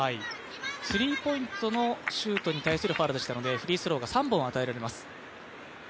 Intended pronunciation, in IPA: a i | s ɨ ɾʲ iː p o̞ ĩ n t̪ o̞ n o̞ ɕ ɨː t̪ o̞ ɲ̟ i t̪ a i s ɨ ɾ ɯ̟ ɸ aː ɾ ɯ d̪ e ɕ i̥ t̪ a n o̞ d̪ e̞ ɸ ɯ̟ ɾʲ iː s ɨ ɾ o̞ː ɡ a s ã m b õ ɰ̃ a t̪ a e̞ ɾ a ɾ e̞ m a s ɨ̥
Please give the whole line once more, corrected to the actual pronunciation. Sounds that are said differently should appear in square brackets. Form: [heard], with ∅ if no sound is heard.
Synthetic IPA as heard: a i | s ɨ ɾʲ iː p o̞ ĩ n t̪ o̞ n o̞ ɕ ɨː t̪ o̞ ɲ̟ i t̪ a i s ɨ ɾ ɯ̟ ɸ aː ɾ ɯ d̪ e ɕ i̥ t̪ a n o̞ d̪ e̞ ɸ ɯ̟ ɾʲ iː s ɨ ɾ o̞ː ɡ a s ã m b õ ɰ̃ a t̪ a e̞ ɾ a ɾ e̞ m a s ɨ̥